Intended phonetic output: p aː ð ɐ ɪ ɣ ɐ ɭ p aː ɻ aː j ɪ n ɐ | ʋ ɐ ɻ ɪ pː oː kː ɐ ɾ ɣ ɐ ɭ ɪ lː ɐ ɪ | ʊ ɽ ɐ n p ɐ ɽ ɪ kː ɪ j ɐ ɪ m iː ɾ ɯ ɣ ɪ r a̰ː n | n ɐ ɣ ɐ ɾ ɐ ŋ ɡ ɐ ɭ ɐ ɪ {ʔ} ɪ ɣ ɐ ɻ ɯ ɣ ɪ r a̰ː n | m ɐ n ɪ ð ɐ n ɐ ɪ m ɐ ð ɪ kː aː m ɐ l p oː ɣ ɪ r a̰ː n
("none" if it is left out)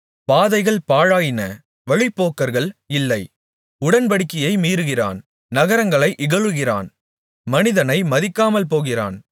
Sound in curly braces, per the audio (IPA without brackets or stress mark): ʔ